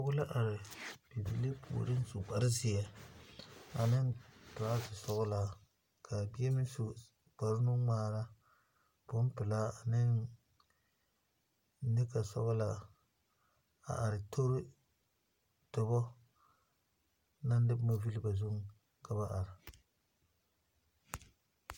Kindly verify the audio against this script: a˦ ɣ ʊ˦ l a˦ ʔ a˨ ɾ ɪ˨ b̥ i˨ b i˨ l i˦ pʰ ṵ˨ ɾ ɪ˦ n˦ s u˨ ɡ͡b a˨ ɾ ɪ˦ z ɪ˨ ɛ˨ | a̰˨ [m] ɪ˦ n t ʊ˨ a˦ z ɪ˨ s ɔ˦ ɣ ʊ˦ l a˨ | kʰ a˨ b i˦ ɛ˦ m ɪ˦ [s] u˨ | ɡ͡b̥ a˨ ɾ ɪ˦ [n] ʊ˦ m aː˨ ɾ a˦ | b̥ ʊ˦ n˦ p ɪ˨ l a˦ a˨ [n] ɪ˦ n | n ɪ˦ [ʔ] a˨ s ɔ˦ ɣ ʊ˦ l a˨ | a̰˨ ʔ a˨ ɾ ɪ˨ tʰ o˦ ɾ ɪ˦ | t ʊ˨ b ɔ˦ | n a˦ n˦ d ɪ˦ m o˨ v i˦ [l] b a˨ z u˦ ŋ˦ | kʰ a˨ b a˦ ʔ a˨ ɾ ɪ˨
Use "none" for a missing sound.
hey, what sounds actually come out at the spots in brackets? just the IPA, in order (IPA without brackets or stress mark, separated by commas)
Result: n, s, n, n, k, l